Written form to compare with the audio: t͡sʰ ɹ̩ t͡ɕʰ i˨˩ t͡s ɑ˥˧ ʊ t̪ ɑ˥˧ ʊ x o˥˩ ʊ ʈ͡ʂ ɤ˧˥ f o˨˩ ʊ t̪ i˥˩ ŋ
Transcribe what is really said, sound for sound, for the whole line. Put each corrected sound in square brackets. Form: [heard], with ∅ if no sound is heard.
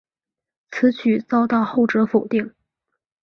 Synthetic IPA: t͡sʰ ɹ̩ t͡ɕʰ [y˨˩] t͡s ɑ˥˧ ʊ t̪ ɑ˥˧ ʊ x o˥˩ ʊ ʈ͡ʂ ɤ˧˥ f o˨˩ ʊ t̪ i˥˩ ŋ

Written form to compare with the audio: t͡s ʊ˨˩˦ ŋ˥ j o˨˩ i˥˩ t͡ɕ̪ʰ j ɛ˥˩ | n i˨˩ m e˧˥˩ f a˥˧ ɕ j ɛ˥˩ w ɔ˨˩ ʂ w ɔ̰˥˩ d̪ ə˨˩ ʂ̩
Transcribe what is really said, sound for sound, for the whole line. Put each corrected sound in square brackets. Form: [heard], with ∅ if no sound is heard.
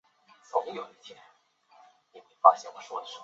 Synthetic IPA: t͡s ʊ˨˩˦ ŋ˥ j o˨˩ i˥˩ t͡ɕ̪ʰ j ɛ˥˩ | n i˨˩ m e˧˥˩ f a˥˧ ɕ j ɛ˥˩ w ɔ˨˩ ʂ w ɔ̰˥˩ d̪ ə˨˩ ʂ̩

